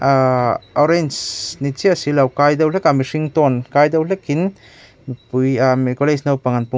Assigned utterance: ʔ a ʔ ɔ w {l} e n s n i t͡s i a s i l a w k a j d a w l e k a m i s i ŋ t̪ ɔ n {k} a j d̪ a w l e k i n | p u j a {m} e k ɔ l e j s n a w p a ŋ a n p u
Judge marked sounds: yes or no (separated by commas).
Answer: no, yes, yes